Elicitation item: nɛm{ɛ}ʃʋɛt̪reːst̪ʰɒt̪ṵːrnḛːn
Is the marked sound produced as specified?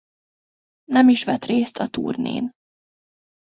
no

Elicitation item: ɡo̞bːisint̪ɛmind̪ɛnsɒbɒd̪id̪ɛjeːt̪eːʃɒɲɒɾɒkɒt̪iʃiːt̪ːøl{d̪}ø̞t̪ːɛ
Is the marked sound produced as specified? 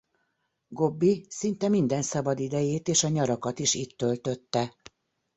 no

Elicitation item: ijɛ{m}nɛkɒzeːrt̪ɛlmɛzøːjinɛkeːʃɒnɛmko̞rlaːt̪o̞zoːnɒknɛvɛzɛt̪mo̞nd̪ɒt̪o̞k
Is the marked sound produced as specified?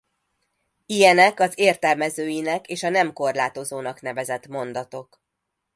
no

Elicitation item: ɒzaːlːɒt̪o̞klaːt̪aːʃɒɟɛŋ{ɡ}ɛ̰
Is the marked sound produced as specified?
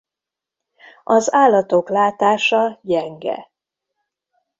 yes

